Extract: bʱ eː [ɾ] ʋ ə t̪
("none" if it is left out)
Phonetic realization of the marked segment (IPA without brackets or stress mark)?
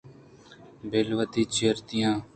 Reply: l